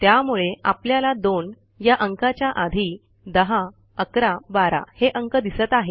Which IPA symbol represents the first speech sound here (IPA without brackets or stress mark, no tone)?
t̪